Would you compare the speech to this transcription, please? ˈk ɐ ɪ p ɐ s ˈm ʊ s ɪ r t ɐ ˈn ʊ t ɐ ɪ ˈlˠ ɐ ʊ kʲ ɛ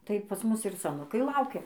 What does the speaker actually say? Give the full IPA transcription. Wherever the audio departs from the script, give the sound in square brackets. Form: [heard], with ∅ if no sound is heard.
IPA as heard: [ˈt] ɐ ɪ p ɐ s ˈm ʊ s ɪ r [s] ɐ ˈn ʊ [k] ɐ ɪ ˈlˠ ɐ ʊ kʲ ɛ